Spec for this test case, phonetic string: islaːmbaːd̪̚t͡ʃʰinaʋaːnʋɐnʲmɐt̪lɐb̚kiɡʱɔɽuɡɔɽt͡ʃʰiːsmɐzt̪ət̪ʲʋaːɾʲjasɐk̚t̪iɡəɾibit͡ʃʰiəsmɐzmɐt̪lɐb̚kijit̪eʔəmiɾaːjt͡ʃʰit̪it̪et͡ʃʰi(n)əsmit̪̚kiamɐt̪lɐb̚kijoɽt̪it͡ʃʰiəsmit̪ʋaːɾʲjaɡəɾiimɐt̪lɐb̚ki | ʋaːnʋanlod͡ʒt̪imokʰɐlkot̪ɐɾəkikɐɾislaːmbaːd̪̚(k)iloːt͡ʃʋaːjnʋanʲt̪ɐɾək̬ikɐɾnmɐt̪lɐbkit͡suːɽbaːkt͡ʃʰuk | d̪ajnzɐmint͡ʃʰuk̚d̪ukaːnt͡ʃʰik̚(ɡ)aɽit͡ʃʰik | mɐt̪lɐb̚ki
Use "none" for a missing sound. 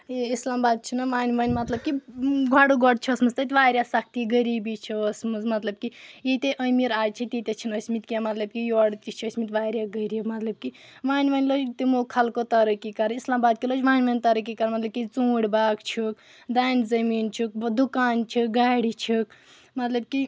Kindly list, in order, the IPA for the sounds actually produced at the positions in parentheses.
n, k, ɡ

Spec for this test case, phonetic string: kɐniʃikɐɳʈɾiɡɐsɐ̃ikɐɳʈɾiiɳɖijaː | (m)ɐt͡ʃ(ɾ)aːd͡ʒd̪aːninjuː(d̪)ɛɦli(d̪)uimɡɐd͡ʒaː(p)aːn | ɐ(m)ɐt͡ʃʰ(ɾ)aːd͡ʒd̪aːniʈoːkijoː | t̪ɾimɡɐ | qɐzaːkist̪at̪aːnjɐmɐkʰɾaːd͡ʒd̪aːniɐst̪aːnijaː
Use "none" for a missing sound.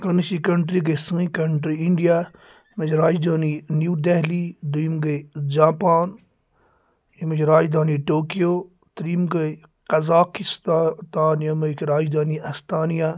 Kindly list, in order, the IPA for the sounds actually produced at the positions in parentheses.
m, ɾ, d̪, d̪, p, m, ɾ

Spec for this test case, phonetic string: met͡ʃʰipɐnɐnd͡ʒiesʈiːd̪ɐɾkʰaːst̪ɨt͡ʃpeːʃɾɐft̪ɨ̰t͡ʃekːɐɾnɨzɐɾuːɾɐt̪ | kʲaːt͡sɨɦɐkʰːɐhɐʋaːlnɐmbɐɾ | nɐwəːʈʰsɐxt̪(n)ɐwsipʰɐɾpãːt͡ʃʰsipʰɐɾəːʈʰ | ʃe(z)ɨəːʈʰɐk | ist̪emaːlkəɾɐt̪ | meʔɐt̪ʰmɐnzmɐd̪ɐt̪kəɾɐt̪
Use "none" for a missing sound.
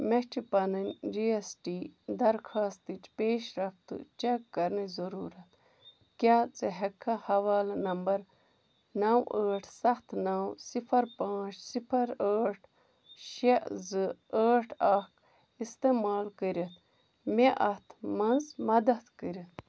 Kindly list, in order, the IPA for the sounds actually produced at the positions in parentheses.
n, z

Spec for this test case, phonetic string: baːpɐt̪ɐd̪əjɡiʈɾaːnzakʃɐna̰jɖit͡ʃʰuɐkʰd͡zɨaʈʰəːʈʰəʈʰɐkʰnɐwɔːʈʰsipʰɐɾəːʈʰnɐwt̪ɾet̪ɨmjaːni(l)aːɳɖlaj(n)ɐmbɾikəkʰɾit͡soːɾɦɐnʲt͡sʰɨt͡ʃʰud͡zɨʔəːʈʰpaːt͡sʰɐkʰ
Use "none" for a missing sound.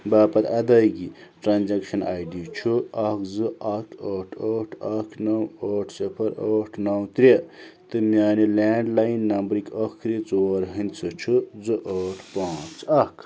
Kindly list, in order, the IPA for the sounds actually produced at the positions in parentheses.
l, nː

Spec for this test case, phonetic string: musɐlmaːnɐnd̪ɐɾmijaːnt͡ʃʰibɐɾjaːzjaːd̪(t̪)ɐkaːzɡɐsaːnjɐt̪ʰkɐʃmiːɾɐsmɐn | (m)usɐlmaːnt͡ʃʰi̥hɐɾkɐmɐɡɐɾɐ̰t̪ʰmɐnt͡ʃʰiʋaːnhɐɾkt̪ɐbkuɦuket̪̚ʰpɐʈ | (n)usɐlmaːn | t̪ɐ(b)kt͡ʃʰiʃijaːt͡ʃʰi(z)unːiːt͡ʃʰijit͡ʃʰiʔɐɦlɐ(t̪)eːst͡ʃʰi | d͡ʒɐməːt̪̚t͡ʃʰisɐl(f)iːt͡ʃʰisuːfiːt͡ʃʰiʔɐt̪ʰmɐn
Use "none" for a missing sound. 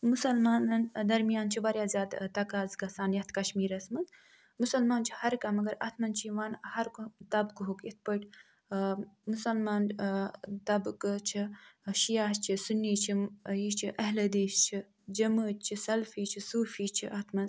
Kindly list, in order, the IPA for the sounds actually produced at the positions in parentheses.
t̪, m, m, b, s, d̪, f

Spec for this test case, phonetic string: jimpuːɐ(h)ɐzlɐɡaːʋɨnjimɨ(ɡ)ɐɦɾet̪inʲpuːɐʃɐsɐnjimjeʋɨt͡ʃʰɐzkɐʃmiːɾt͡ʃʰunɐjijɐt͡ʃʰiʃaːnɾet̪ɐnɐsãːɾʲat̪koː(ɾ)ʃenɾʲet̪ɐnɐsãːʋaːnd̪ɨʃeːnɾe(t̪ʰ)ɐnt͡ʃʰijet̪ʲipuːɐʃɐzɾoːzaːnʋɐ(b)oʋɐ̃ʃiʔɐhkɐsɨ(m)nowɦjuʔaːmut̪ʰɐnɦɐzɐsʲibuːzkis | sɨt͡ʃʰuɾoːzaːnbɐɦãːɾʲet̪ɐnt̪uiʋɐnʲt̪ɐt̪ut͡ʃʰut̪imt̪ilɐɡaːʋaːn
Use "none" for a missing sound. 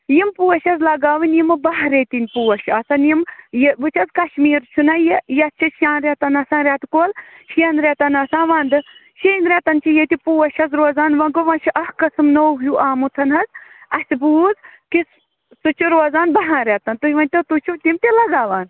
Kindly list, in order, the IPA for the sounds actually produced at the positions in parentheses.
ʃ, b, l, t̪, ɡ, m

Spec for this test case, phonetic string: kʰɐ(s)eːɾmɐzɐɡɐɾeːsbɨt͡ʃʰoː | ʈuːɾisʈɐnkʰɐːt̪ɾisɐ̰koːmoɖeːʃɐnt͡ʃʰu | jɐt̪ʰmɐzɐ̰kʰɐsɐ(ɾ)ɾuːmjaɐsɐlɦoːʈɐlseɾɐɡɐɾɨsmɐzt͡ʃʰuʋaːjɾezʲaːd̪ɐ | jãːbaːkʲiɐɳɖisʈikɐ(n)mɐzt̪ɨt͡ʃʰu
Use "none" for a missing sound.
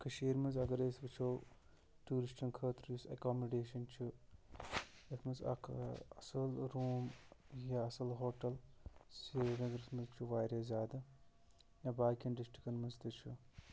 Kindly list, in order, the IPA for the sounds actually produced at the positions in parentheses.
ʃ, l, n

